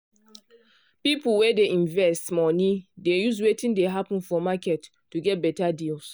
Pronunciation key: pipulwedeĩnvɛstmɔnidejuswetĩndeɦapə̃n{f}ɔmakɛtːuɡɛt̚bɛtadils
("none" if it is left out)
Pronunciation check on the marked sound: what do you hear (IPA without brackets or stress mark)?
f